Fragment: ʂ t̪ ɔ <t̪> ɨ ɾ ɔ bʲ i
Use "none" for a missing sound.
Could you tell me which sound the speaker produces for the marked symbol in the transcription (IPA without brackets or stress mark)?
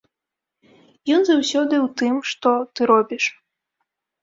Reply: t̪